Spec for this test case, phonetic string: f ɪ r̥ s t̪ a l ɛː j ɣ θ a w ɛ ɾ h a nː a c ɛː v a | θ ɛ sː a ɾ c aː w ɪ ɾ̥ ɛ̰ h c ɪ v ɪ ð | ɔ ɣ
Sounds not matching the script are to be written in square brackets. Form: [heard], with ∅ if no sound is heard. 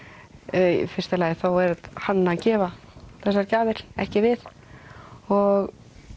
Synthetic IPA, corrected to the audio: f ɪ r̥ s t̪ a l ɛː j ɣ θ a w ɛ ɾ h a nː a c ɛː v a | θ ɛ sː a ɾ c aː [v] ɪ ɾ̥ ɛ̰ h c ɪ v ɪ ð | ɔ ɣ